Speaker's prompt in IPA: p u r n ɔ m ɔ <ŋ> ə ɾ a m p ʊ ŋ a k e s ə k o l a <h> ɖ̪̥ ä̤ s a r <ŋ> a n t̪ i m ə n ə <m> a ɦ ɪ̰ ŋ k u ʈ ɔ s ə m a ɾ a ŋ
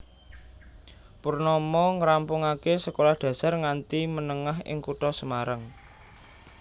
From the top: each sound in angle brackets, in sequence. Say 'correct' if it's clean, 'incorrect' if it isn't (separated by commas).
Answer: correct, correct, correct, incorrect